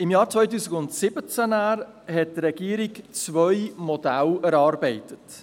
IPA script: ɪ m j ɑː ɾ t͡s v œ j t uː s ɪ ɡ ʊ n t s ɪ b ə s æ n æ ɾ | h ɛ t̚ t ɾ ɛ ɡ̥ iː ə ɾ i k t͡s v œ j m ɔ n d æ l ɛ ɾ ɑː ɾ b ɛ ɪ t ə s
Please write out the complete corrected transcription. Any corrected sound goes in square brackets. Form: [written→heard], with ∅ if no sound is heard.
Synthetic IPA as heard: ɪ m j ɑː ɾ t͡s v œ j t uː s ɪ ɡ ʊ n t s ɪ b ə [s→t͡s] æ n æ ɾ | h ɛ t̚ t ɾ ɛ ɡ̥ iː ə ɾ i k t͡s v œ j m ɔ [n→∅] d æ l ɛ ɾ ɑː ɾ b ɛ ɪ t ə [s→t]

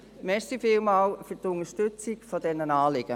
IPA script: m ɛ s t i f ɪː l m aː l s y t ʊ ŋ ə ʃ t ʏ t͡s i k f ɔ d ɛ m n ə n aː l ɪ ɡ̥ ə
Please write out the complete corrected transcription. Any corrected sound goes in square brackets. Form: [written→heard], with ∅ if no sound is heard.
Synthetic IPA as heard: m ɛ s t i f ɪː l m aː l [s→f] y t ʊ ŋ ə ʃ t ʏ t͡s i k f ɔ d ɛ [m→∅] n ə n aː l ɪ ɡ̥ ə

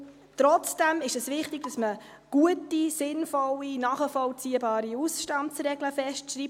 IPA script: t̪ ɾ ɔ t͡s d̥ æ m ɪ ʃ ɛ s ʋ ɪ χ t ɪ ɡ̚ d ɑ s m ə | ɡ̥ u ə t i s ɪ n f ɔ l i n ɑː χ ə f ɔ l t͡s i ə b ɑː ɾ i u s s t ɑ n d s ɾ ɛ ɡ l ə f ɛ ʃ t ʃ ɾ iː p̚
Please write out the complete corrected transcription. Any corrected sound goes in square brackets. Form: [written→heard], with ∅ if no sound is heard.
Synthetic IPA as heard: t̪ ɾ ɔ t͡s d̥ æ m ɪ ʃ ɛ s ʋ ɪ χ t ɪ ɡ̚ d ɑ s m ə | ɡ̥ u ə t i s ɪ n f ɔ l i n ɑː χ ə f ɔ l t͡s i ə b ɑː ɾ i u s [s→ʃ] t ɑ n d s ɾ ɛ ɡ l ə f ɛ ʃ t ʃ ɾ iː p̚

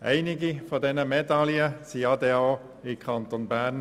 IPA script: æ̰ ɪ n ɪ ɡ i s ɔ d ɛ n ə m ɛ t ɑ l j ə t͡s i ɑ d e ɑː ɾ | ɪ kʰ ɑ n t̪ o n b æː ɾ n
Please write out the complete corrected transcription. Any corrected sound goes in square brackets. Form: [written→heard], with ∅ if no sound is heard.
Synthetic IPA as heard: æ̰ ɪ n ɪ ɡ i [s→f] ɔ d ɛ n ə m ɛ [t→d] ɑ l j ə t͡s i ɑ d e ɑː [ɾ→∅] | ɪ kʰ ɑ n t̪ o n b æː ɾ n

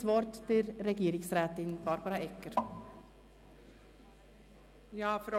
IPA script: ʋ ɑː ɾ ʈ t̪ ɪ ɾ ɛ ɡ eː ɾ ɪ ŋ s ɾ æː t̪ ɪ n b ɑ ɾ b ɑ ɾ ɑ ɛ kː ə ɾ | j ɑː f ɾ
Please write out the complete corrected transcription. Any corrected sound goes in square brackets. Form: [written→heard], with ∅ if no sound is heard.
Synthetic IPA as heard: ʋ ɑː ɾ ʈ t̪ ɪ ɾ ɛ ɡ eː ɾ ɪ ŋ s ɾ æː t̪ ɪ n b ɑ ɾ b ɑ ɾ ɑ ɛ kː ə ɾ | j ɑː f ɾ

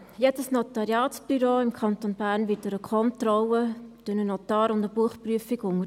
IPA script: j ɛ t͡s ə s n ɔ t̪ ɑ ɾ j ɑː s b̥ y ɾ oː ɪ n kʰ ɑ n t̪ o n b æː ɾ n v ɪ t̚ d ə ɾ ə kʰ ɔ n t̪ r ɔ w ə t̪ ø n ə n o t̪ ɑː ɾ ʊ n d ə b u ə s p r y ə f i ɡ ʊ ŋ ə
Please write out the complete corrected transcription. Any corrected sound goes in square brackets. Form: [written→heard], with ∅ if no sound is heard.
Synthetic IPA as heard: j ɛ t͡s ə s n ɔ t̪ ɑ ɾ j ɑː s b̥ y ɾ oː ɪ [n→m] kʰ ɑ n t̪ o n b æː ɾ n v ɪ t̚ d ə ɾ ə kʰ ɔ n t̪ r ɔ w ə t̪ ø n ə n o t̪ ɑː ɾ ʊ n d ə b u ə [s→χ] p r y ə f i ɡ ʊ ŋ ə

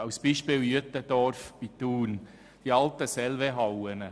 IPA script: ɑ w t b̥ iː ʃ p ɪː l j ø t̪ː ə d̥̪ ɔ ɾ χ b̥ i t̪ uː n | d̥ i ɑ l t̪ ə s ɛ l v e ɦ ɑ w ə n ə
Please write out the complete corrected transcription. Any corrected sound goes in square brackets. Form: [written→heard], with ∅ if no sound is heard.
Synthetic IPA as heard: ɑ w [t→s] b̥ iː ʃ p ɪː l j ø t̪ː ə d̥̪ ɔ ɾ [χ→f] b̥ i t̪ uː n | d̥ i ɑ l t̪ ə s ɛ l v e ɦ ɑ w ə n ə

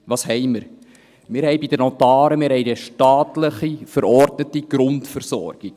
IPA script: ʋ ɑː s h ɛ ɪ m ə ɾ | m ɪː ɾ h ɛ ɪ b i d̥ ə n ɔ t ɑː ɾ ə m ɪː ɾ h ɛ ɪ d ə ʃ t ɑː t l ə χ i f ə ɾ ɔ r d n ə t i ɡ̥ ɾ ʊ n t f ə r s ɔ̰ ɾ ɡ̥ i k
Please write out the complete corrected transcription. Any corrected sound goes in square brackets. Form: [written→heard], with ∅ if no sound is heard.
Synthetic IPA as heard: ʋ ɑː s h ɛ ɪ m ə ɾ | m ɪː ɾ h ɛ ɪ b i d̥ ə n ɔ t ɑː ɾ ə m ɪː ɾ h ɛ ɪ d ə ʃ t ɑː t l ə χ i f ə ɾ ɔ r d n ə t i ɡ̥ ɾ ʊ n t f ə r s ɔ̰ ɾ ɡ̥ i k

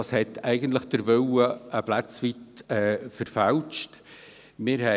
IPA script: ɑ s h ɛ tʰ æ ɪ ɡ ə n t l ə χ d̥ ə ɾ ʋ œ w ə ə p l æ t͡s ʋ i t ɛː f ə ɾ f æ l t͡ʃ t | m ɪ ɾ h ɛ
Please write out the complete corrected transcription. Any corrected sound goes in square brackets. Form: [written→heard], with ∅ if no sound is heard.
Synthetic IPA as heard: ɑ s h ɛ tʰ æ ɪ ɡ ə n t l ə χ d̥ ə ɾ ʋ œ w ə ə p l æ t͡s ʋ i t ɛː f ə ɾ f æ l t͡ʃ t | m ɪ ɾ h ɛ

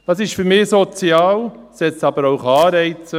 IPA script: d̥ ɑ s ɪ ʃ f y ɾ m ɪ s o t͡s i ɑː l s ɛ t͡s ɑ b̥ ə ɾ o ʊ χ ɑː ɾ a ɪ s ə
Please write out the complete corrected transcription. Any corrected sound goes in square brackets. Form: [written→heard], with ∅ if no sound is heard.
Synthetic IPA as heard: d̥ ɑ s ɪ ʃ f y ɾ m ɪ s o t͡s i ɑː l s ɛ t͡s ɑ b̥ ə ɾ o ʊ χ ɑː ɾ [a→ɛ] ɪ [s→t͡s] ə

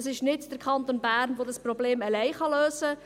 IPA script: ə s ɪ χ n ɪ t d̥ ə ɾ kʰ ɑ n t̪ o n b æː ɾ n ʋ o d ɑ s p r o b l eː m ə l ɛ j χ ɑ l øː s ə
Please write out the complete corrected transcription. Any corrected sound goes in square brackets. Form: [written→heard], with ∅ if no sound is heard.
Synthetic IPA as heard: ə s ɪ [χ→ʃ] n ɪ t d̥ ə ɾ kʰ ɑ n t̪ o n b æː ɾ n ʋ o d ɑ s p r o b l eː m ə l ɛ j χ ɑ l øː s ə

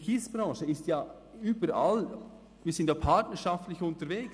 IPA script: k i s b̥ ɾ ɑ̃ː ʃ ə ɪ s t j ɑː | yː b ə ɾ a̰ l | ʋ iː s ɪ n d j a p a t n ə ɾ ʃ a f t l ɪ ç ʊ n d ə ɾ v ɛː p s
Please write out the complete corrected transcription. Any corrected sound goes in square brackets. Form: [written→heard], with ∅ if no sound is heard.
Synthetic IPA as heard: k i s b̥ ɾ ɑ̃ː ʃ ə ɪ s t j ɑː | yː b ə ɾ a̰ l | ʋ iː s ɪ n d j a [p→pʰ] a t n ə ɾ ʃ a f t l ɪ ç ʊ n [d→t] ə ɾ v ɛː [p→k] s

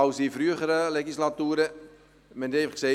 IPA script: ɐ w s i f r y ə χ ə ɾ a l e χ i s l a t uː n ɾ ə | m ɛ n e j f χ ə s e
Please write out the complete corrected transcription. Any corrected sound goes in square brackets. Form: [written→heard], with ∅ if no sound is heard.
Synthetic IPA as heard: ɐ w s i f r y ə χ ə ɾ [a→ə] l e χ i s l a t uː [n→∅] ɾ ə | m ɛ n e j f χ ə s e

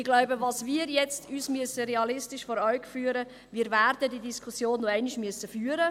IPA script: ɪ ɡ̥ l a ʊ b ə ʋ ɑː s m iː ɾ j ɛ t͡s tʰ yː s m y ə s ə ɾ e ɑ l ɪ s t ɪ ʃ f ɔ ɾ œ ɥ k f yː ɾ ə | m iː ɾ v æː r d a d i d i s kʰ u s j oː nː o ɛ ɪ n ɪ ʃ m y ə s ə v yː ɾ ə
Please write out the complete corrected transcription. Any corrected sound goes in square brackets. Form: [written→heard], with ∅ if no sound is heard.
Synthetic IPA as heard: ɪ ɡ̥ l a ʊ b ə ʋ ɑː s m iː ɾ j ɛ t͡s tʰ yː s m y ə s ə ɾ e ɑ l ɪ s t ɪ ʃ f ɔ ɾ œ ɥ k f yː ɾ ə | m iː ɾ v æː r d [a→ə] d i d i s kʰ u s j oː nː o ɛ ɪ n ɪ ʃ m y ə s ə [v→f] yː ɾ ə

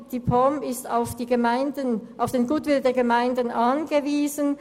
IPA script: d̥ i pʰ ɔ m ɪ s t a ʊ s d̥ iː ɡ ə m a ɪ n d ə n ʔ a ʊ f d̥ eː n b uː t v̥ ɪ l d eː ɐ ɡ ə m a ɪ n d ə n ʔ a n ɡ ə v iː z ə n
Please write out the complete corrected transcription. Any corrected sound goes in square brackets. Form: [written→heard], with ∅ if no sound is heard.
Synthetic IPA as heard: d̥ i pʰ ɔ m ɪ s t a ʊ [s→f] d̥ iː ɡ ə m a ɪ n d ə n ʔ a ʊ f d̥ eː n [b→ɡ] uː t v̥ ɪ l d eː ɐ ɡ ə m a ɪ n d ə n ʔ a n ɡ ə v iː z ə n

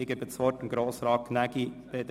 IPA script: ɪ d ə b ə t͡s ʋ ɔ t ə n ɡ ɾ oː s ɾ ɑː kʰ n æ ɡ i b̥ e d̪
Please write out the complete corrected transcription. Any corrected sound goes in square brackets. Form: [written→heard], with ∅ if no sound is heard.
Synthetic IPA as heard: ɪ [d→ɡ] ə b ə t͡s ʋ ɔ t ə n ɡ ɾ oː s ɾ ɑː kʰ n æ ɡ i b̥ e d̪

